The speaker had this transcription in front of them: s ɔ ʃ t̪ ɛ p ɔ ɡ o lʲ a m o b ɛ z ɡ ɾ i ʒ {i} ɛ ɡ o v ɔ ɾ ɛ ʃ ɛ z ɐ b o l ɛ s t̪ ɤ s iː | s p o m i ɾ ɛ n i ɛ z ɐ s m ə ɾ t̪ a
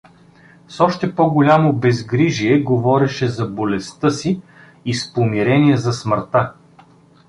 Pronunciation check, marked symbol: correct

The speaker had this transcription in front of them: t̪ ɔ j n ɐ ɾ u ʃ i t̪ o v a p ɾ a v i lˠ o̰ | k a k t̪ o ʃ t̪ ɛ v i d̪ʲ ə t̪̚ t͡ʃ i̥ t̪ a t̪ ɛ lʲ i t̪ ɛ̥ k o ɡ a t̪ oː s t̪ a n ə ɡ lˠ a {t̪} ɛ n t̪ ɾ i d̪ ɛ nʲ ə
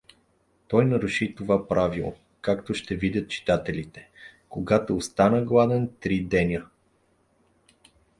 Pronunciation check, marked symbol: incorrect: d̪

